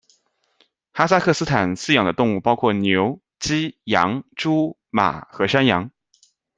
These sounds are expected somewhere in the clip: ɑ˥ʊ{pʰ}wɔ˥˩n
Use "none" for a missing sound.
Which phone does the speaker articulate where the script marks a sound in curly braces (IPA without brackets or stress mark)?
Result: kʰ